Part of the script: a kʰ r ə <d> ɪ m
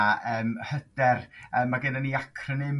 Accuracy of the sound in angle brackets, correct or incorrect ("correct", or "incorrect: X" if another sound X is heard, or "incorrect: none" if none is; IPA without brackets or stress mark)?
incorrect: n